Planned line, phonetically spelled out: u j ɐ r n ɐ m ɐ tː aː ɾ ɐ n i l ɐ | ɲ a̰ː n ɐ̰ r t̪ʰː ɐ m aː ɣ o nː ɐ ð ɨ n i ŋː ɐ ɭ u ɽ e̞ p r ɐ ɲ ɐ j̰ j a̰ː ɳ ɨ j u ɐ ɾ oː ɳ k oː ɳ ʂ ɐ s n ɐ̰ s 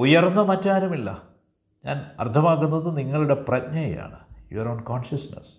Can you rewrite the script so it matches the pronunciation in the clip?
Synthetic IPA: u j ɐ r nː ɐ m ɐ tː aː ɾ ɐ m i lː ɐ | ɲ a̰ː n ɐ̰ r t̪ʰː ɐ m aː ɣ u nː ɐ ð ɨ n i ŋː ɐ ɭ u ɽ e̞ p r ɐ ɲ ɐ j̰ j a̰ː ɳ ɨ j u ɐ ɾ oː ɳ k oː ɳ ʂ ɐ s n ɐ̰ s